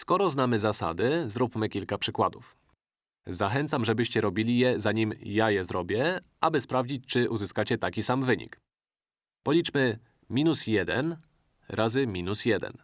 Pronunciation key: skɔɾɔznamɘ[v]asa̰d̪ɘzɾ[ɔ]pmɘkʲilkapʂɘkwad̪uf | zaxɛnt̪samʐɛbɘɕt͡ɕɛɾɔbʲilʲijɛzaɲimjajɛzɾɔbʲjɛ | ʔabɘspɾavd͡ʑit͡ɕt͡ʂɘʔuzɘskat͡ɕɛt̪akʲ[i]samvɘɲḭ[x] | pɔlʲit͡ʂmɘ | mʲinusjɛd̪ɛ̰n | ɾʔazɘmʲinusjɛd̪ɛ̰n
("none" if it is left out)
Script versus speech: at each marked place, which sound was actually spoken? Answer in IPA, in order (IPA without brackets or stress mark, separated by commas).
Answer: z, u, i, k